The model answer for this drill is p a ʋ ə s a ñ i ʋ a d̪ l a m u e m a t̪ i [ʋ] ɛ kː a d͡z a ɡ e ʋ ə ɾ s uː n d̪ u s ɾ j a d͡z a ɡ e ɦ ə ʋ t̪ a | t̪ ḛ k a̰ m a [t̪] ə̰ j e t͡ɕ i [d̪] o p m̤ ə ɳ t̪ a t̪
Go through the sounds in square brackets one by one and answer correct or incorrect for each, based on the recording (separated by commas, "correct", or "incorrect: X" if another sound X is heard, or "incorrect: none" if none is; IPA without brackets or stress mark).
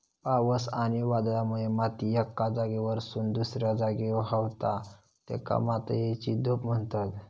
incorrect: none, correct, correct